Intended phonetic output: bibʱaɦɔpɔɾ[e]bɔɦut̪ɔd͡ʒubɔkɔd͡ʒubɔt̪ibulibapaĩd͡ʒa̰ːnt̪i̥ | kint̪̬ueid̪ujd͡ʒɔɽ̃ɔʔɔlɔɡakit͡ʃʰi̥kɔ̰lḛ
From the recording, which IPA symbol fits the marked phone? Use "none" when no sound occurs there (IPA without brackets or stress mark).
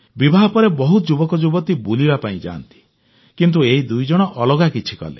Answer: e